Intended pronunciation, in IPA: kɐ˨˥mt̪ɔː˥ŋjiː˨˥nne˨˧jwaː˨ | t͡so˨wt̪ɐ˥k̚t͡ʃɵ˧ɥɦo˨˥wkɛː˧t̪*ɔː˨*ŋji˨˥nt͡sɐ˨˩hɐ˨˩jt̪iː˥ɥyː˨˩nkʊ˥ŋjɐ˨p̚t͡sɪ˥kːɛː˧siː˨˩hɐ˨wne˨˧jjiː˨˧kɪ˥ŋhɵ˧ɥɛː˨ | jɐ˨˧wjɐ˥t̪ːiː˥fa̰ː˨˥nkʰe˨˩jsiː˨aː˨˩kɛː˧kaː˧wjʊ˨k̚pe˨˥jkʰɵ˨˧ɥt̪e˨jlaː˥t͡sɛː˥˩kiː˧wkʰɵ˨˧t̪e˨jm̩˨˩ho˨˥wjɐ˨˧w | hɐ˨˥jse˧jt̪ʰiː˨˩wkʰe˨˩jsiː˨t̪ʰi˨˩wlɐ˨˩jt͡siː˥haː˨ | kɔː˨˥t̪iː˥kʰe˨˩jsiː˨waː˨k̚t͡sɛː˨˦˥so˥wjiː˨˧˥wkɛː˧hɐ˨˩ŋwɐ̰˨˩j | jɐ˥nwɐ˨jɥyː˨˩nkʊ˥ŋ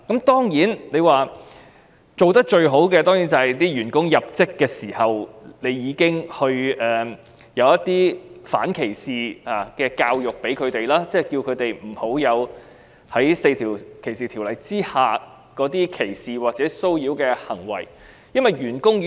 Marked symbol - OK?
no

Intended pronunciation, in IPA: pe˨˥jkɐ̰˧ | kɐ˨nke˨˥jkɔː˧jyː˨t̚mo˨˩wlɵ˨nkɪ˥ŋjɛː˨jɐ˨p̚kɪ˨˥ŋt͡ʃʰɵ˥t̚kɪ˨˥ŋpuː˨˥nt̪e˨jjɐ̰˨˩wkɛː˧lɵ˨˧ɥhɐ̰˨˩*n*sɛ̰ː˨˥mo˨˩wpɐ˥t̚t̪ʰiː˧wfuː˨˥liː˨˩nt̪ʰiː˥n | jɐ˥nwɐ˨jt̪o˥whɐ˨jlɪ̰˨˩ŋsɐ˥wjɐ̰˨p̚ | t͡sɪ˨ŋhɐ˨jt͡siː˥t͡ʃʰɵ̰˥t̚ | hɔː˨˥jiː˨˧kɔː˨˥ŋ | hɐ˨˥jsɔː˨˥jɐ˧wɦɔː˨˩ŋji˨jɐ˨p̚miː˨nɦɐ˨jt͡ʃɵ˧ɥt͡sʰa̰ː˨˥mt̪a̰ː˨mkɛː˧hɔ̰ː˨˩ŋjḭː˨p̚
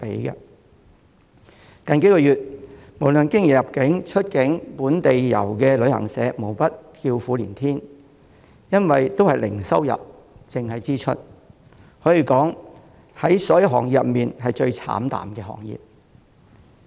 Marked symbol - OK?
no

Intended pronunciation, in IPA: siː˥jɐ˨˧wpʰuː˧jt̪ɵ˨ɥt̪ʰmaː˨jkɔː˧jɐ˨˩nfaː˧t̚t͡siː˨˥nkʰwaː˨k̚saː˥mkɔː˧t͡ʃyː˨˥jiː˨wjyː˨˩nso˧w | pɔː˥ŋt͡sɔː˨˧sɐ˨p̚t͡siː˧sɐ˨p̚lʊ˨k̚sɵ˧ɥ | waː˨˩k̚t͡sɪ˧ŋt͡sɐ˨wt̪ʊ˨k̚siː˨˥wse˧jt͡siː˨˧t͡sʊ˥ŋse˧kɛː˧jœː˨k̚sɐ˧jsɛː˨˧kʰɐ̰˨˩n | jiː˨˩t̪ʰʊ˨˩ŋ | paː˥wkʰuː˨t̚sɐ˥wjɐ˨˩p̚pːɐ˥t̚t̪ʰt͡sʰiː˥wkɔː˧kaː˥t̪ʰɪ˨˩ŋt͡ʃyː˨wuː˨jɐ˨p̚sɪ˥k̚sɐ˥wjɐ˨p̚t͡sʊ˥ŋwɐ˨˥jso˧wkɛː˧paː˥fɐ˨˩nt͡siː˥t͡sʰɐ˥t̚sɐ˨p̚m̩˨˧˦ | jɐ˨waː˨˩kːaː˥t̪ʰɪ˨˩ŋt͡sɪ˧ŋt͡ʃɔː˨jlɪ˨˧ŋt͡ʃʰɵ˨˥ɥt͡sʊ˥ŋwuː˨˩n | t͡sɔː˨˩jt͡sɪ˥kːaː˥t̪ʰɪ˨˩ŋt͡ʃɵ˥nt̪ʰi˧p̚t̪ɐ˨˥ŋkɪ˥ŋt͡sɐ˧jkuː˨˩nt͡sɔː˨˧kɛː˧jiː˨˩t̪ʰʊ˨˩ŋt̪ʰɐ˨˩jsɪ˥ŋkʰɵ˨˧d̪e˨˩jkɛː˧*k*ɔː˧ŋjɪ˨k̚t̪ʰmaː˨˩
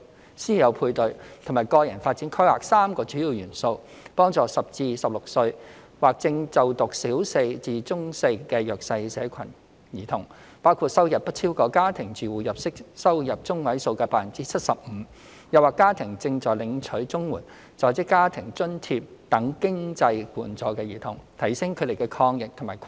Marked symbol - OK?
no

